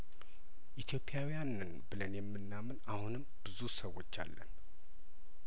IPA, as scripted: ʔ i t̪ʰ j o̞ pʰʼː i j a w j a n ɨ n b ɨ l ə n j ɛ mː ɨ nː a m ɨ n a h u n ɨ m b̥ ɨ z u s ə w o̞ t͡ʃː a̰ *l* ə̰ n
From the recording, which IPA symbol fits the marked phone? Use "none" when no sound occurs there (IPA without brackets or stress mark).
lː